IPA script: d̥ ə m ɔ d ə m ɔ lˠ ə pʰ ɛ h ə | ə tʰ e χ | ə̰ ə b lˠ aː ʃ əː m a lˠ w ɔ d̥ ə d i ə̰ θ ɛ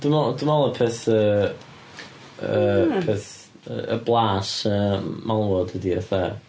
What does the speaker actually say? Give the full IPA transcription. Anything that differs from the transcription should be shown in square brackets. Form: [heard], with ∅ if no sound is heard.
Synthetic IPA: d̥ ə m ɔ d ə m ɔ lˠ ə pʰ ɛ [θ] ə | ə [pʰ] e [θ] | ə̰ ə b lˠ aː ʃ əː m a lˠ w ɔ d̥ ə d i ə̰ θ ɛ